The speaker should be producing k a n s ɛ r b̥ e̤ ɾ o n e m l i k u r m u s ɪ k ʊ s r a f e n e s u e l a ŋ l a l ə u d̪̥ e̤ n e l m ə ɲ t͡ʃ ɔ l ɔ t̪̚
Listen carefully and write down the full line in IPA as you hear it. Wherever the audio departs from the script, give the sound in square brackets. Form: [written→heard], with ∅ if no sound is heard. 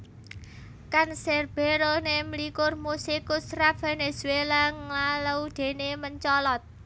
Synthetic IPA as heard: k a n s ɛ r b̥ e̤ ɾ o n e m l i k [u→ʊ] r m u s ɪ k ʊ s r a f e n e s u e l a ŋ l a l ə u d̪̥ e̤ n e [l→∅] m ə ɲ t͡ʃ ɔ l ɔ t̪̚